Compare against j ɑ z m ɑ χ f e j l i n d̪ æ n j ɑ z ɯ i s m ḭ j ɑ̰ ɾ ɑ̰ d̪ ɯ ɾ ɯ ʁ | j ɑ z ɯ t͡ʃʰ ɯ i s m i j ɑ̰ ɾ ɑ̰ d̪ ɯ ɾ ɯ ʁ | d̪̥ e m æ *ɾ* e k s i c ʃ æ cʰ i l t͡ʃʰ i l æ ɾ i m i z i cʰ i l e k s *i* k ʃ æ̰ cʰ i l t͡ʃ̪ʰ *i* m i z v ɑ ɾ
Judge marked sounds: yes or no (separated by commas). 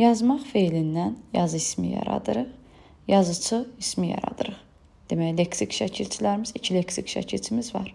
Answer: no, yes, yes